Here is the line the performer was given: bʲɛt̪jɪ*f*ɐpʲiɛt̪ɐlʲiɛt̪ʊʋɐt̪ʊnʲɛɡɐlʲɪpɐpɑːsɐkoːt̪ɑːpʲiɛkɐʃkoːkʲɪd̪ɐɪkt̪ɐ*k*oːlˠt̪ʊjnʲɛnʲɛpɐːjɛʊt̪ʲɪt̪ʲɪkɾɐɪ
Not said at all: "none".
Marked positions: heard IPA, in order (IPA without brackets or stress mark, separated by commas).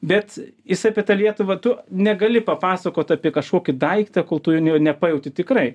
s, k